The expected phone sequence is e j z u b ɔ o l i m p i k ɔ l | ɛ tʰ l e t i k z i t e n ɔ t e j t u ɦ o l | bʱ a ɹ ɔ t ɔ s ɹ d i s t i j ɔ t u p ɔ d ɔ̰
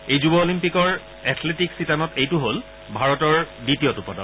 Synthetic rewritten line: e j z u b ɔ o l i m p i k ɔ ɹ | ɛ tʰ l e t i k s i t a n ɔ t e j t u ɦ o l | bʱ a ɹ ɔ t ɔ ɹ d i t i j ɔ t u p ɔ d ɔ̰